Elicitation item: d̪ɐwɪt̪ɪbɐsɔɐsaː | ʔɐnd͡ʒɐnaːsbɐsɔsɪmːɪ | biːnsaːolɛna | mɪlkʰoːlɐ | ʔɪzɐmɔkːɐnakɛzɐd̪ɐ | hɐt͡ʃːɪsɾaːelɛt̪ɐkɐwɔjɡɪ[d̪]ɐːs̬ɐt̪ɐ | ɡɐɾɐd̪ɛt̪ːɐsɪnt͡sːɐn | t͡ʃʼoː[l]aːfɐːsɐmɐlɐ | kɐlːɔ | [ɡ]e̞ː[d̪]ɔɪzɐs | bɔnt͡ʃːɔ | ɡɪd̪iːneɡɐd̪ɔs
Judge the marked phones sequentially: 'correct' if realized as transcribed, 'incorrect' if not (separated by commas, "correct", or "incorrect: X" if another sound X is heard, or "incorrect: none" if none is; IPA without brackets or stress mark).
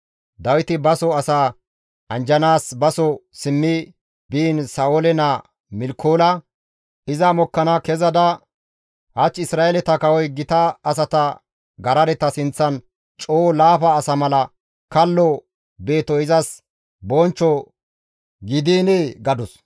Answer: incorrect: t̪, correct, incorrect: b, incorrect: t̪